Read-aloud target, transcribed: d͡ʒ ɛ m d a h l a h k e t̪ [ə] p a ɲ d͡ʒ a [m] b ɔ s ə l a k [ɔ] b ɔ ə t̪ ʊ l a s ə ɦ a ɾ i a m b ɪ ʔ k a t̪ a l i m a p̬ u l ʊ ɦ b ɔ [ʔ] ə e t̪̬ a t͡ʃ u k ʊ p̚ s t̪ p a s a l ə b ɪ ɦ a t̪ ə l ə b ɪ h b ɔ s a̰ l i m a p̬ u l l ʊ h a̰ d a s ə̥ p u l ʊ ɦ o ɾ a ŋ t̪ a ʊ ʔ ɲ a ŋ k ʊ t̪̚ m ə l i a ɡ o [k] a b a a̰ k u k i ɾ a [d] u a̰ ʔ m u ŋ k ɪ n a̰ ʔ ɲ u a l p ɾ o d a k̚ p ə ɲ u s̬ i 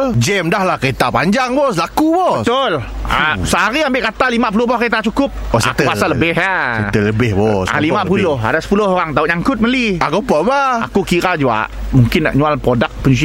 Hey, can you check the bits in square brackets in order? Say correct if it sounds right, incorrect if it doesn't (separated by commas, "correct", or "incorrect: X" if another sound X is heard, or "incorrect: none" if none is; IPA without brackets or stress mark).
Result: incorrect: a, incorrect: ŋ, incorrect: u, incorrect: k, incorrect: p, incorrect: d͡ʒ